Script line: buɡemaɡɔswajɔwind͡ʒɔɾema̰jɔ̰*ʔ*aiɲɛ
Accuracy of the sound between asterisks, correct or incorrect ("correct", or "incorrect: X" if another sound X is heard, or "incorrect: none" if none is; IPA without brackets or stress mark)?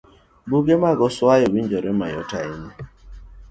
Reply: incorrect: t